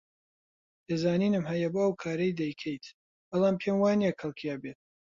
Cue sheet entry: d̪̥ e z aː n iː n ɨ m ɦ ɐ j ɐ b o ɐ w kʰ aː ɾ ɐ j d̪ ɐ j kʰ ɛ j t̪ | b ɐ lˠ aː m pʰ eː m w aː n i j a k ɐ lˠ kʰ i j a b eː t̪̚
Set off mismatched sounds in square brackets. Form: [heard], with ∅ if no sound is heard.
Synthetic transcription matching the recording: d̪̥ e z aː n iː n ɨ m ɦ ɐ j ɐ b o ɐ w kʰ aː ɾ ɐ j d̪ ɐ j kʰ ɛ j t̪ | b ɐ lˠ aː m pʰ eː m w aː n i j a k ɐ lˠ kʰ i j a b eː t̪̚